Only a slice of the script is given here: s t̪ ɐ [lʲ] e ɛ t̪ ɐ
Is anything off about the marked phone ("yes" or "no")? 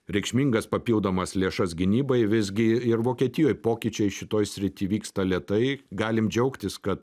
no